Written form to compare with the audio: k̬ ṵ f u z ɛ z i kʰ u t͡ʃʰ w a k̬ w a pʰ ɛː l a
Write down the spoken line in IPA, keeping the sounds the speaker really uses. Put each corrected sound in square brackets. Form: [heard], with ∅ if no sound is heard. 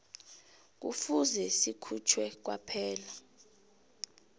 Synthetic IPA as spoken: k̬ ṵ f u z ɛ [s] i kʰ u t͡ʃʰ w [ɛ] k̬ w a pʰ ɛː l a